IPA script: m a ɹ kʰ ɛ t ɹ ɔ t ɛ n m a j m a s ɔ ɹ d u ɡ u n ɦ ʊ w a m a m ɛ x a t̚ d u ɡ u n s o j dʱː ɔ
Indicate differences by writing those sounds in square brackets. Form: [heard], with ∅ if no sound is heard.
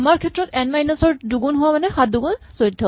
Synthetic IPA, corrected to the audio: m a ɹ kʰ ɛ t ɹ ɔ t ɛ n m a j [n] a s ɔ ɹ d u ɡ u n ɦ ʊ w a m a [n] ɛ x a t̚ d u ɡ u n s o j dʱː ɔ